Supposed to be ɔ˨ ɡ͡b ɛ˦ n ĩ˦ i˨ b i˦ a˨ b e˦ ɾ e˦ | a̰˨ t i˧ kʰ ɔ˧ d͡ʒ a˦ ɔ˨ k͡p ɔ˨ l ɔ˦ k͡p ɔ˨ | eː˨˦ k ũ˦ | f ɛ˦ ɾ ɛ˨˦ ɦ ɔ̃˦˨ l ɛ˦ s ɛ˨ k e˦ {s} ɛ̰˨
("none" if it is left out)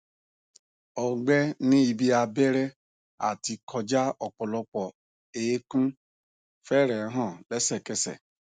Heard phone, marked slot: s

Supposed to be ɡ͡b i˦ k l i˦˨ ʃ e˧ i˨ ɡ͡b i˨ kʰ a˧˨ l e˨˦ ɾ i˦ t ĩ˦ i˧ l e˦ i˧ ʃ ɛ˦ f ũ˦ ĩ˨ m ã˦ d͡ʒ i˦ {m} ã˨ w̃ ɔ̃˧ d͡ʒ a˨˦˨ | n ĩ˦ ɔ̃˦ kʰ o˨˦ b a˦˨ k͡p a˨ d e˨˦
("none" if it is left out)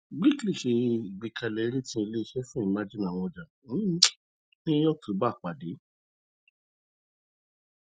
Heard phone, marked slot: n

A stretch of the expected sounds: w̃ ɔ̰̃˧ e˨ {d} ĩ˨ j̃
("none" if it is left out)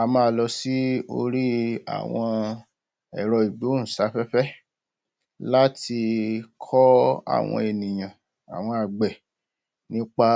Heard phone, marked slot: n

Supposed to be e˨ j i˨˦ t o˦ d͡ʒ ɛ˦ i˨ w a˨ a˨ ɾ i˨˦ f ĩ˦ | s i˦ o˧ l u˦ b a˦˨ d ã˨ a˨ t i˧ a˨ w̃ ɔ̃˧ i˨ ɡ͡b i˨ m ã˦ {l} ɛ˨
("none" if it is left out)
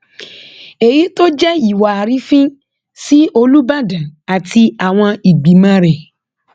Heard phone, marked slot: ɾ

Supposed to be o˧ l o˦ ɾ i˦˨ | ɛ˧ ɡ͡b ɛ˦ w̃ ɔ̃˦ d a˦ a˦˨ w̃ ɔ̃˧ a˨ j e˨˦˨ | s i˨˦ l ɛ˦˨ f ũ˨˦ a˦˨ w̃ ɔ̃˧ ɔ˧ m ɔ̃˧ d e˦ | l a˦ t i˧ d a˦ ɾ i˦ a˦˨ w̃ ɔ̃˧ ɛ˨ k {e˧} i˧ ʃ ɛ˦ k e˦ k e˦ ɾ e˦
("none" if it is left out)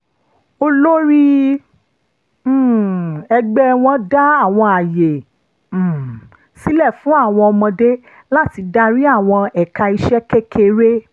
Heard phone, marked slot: a˧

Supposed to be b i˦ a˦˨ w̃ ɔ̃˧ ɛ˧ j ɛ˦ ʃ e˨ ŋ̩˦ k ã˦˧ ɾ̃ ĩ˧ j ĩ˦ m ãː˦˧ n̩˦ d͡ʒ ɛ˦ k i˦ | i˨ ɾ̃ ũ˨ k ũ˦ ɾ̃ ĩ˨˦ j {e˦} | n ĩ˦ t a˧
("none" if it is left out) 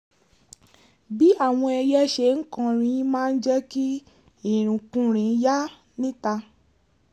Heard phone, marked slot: a˦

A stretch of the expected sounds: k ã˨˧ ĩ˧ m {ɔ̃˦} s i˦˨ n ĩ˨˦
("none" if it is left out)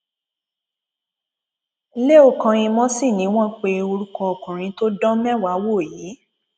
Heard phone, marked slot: ɔ̃˦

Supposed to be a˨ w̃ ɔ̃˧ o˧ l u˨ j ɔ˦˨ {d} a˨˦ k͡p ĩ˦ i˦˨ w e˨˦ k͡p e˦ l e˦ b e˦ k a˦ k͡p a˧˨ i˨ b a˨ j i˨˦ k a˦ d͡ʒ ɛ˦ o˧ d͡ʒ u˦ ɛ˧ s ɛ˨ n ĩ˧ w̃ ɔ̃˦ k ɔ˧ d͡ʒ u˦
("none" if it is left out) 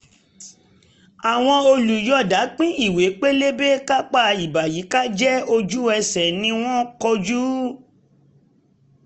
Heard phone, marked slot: d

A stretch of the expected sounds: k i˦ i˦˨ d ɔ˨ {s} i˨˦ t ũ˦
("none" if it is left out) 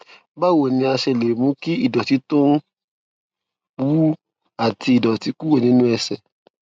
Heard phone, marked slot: t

